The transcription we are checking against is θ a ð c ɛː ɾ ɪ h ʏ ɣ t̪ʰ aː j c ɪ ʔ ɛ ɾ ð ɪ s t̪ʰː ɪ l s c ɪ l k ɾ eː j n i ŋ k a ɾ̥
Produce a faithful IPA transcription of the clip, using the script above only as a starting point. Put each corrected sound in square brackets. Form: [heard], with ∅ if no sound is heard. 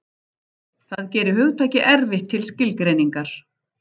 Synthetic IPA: θ a ð c ɛː ɾ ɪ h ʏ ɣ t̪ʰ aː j c ɪ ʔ ɛ ɾ [v] ɪ [h] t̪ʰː ɪ l s c ɪ l k ɾ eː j n i ŋ k a ɾ̥